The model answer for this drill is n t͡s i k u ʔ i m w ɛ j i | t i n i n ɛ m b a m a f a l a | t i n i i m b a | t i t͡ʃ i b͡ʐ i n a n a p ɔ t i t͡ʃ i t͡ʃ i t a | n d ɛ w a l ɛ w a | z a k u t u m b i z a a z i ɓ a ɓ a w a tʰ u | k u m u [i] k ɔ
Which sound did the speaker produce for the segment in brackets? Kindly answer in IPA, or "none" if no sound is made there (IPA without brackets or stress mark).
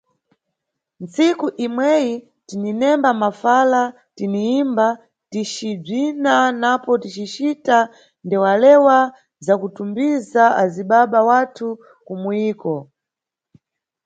iː